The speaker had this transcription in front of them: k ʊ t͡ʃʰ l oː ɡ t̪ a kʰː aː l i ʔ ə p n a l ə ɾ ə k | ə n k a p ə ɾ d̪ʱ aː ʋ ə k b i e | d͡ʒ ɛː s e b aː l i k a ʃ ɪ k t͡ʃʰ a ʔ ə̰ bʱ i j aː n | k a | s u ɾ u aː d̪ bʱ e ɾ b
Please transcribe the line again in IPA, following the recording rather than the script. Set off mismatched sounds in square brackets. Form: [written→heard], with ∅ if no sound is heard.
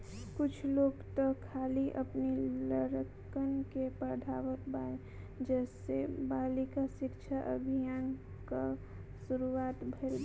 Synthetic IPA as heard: k ʊ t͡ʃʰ l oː ɡ t̪ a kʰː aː l i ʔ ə p n [a→i] l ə ɾ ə k | ə n k [a→e] p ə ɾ d̪ʱ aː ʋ ə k b [i→a] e | d͡ʒ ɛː s e b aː l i k a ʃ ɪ k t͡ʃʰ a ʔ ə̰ bʱ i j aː n | k a | s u ɾ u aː [d̪→t̪] bʱ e [ɾ→l] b